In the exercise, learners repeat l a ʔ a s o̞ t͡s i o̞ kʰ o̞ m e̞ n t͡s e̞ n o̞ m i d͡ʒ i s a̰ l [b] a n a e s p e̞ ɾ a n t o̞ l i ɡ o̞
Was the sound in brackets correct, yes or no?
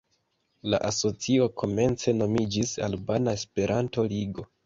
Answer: yes